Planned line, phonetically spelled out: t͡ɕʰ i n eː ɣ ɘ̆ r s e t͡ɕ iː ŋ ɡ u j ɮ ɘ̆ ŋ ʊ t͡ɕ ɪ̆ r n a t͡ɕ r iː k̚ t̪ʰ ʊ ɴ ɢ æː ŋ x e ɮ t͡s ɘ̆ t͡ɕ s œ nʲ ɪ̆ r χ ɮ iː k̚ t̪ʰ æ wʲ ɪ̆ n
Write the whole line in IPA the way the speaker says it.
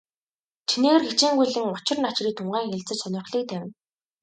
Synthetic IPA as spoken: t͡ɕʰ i n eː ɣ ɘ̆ r x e t͡ɕ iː ŋ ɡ u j ɮ ɘ̆ ŋ ʊ t͡ɕ ɪ̆ r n a t͡ɕ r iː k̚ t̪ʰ ʊ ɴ ɢ æː ŋ x e ɮ t͡s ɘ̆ t͡ɕ s œ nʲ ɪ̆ r χ ɮ iː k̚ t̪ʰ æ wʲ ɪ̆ n